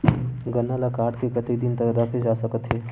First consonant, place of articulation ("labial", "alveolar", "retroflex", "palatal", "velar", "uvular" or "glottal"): velar